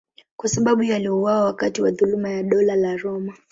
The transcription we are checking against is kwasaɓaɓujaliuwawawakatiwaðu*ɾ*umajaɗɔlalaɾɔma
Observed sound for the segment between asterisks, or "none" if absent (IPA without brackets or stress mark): l